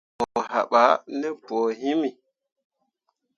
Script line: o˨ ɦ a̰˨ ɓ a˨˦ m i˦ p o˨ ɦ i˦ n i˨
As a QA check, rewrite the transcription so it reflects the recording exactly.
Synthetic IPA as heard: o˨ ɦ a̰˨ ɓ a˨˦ n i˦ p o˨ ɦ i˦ m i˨